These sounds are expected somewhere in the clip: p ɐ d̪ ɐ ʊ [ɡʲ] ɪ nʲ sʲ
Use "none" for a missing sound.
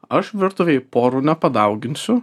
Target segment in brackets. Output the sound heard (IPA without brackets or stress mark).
ɡʲ